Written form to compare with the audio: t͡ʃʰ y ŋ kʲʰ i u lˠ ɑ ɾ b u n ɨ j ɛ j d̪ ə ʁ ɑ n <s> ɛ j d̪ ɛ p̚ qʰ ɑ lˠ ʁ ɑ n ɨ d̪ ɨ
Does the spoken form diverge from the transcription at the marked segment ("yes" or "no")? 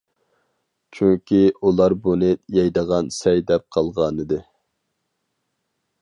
no